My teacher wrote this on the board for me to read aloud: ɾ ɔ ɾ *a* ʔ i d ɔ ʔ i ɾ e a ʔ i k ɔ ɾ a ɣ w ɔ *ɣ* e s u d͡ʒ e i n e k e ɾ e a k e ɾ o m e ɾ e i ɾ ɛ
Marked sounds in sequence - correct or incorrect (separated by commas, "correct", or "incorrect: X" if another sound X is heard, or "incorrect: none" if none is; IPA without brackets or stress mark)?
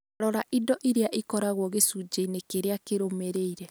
correct, correct